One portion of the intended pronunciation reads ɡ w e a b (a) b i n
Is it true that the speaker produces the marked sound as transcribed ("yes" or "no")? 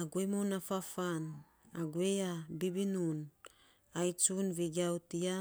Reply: no